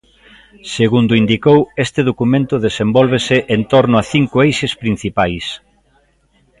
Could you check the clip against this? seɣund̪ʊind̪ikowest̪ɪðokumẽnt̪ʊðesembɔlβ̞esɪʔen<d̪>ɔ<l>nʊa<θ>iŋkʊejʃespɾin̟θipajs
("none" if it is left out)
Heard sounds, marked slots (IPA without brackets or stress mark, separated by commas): t̪, ɾ, θ